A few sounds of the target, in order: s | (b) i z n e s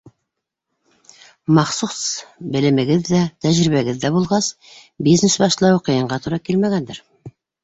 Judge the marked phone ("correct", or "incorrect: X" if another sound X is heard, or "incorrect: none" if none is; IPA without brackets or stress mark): correct